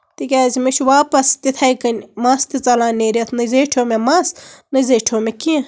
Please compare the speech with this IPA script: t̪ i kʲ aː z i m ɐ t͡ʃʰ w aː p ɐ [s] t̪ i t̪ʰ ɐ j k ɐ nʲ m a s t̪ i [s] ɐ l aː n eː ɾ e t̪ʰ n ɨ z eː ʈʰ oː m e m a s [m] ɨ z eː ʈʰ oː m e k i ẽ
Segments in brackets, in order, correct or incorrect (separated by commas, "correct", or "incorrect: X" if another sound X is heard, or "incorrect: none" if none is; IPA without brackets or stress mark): correct, incorrect: t͡s, incorrect: n